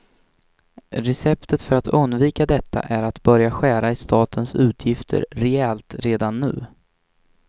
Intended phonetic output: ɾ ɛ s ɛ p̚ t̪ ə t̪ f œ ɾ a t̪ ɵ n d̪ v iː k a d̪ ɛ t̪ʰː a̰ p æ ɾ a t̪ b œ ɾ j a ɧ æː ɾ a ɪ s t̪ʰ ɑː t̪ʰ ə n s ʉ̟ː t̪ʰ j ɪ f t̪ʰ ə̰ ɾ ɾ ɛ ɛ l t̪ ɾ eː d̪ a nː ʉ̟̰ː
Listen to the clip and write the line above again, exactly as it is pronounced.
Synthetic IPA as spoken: ɾ ɛ s ɛ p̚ t̪ ə t̪ f œ ɾ a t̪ ɵ n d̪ v iː k a d̪ ɛ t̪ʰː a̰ ʔ æ ɾ a t̪ b œ ɾ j a ɧ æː ɾ a ɪ s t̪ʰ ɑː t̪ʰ ə n s ʉ̟ː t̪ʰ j ɪ f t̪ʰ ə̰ ɾ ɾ ɛ ɛ l t̪ ɾ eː d̪ a nː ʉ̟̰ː